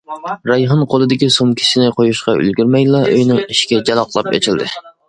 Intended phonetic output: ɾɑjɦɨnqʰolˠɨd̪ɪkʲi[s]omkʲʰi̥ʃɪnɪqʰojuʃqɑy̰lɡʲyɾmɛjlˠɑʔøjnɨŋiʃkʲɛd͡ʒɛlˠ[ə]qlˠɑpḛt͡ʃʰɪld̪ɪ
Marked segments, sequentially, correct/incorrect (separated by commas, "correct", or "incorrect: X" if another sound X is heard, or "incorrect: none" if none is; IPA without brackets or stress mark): correct, incorrect: ɑ